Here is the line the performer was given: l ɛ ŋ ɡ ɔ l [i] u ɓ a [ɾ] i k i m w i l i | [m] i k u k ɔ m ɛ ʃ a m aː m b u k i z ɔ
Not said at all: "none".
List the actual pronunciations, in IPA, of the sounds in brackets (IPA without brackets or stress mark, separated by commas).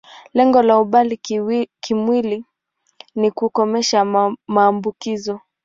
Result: a, l, n